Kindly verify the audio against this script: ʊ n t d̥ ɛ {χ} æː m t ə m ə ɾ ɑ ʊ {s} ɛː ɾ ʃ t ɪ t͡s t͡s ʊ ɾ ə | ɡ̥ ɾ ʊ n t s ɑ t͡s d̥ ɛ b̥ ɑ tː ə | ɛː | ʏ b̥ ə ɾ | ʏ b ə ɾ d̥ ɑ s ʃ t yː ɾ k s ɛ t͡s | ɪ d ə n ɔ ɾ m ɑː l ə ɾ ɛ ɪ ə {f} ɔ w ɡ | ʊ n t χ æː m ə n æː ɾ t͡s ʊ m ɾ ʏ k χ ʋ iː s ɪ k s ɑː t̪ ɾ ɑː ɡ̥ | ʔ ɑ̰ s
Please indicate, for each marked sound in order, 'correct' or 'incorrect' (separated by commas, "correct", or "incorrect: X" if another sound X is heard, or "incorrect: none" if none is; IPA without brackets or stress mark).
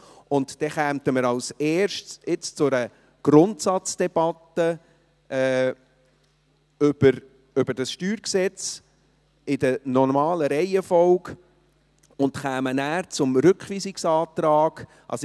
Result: correct, correct, correct